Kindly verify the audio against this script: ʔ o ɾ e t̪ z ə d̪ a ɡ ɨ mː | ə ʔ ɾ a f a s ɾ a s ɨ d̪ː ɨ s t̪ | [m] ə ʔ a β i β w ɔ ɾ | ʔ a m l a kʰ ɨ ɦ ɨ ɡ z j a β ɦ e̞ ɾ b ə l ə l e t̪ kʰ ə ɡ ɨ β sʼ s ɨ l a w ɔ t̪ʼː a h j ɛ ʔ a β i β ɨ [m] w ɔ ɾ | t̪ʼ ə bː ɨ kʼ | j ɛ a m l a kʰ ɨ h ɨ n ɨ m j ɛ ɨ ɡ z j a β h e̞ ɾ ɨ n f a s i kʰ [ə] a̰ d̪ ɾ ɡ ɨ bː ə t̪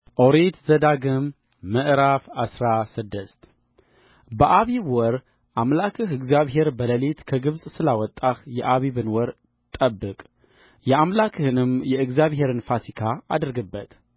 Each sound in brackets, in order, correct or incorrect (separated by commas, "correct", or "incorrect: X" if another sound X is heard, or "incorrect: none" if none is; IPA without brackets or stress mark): incorrect: b, incorrect: n, incorrect: a